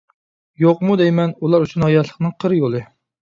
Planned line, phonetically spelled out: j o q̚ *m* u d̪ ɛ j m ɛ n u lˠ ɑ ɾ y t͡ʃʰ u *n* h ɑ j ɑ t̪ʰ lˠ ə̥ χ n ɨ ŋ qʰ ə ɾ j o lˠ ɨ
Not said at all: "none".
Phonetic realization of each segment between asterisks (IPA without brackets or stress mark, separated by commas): m, n